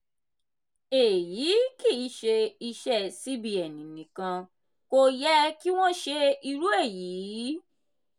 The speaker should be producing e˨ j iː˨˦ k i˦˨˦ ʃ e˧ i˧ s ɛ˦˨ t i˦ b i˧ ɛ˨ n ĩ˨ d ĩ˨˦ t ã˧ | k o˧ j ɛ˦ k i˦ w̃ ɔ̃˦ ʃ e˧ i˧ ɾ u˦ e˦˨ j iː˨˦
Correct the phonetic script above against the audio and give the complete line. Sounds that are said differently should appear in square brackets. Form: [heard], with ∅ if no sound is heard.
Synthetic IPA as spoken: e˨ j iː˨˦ k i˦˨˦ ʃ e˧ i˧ [ʃ] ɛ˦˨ [s] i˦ b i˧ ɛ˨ n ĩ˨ [n] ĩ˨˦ [k] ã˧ | k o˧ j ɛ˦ k i˦ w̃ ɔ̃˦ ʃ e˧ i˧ ɾ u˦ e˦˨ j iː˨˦